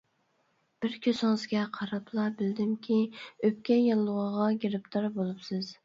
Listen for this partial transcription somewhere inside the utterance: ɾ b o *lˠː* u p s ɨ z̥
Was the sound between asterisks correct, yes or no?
no